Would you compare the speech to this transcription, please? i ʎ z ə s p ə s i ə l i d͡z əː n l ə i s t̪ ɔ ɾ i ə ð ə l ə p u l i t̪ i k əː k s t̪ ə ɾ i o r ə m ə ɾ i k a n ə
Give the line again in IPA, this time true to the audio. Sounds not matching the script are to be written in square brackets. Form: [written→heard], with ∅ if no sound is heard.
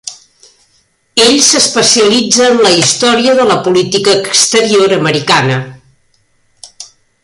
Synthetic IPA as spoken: [i→e] ʎ [z→s] ə s p ə s i ə l i d͡z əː n l ə i s t̪ ɔ ɾ i ə ð ə l ə p u l i t̪ i k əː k s t̪ ə ɾ i o [r→ɾ] ə m ə ɾ i k a n ə